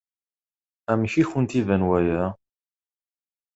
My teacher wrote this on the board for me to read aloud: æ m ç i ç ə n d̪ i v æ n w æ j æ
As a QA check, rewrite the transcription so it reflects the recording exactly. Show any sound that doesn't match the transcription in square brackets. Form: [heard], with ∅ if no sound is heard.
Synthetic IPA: æ m ç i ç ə n [t̪] i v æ n w æ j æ